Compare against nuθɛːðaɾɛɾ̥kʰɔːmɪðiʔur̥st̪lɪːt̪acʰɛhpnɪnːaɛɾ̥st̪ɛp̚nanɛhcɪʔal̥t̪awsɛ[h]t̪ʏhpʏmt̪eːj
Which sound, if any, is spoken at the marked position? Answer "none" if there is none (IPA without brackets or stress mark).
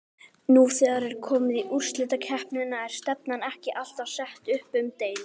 h